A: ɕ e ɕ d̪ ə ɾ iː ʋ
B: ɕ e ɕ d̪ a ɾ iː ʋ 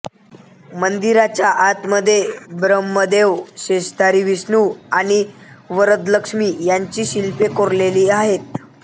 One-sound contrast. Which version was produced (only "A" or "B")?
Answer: B